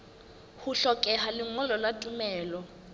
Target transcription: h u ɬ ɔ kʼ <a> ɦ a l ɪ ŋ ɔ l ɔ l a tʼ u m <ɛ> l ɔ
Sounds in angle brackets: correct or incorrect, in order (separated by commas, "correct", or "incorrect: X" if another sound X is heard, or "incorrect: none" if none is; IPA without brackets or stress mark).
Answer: incorrect: ɛ, incorrect: ɛː